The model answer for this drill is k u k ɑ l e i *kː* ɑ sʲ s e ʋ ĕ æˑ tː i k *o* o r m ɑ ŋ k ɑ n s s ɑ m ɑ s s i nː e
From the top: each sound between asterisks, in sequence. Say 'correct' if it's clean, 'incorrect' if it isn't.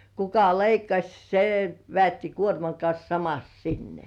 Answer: correct, incorrect: u

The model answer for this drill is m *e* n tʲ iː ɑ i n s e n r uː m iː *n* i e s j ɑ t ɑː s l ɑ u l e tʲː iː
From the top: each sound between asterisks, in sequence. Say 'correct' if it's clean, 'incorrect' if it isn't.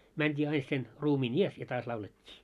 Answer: incorrect: æ, correct

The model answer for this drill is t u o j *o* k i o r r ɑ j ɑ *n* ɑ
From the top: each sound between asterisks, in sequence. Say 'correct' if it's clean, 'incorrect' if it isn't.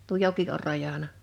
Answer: correct, correct

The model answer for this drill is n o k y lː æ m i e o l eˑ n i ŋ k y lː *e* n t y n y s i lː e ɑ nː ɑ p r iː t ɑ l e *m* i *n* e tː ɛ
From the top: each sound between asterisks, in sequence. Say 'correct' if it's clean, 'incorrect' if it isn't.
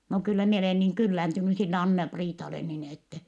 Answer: incorrect: æ, incorrect: n, correct

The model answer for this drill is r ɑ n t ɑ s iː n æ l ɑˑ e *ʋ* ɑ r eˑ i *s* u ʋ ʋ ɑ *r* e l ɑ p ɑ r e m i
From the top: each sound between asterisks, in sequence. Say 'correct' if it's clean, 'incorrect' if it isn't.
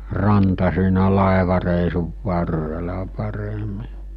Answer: correct, correct, incorrect: rː

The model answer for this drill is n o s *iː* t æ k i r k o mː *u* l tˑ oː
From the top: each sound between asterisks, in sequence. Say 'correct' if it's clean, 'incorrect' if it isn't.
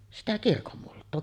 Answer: incorrect: i, correct

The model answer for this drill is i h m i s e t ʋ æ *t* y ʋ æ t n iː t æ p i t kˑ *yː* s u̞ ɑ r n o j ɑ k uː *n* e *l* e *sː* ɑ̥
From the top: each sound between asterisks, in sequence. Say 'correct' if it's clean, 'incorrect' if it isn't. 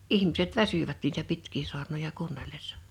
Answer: incorrect: s, incorrect: iː, incorrect: nː, incorrect: lː, correct

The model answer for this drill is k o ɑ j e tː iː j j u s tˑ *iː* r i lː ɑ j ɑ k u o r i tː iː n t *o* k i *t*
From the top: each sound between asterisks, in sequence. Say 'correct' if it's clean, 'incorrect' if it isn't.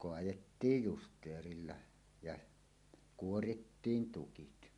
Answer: incorrect: eː, incorrect: u, correct

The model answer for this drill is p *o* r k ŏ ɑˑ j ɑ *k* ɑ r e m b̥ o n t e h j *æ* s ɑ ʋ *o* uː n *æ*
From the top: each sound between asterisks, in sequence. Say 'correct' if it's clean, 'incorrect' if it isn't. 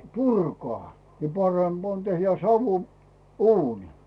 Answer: incorrect: u, incorrect: p, correct, incorrect: u, incorrect: i

